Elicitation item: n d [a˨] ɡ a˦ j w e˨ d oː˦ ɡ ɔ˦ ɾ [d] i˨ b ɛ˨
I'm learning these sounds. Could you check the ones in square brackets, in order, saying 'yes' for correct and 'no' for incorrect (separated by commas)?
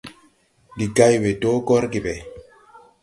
no, no